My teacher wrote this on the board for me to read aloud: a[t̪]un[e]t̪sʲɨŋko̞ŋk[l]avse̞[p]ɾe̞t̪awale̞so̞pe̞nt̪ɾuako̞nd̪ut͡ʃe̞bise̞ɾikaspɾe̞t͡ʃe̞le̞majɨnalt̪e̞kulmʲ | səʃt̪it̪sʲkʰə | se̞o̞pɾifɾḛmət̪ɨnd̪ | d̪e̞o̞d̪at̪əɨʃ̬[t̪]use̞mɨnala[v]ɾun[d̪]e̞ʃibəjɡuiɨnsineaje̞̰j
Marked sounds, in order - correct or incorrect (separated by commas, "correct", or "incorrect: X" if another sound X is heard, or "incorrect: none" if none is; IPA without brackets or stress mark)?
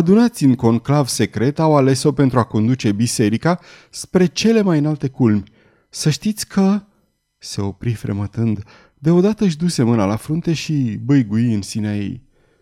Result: incorrect: d̪, incorrect: a, correct, incorrect: k, incorrect: d̪, incorrect: f, incorrect: t̪